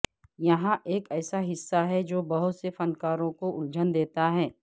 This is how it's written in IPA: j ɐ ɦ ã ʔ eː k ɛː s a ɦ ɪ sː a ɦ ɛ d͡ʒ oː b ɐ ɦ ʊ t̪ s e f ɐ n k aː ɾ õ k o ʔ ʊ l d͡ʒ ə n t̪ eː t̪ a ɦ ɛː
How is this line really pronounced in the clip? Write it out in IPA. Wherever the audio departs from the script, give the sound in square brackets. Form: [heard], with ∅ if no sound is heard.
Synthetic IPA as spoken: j ɐ ɦ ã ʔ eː k ɛː s a ɦ ɪ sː a ɦ ɛ d͡ʒ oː b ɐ ɦ ʊ t̪ s e f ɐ n k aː ɾ õ k o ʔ ʊ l d͡ʒ ə n [d̪] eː t̪ a ɦ ɛː